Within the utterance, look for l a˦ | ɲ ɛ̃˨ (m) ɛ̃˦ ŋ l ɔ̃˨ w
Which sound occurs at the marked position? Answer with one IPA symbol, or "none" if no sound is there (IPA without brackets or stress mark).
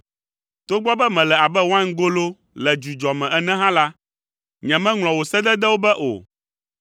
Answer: m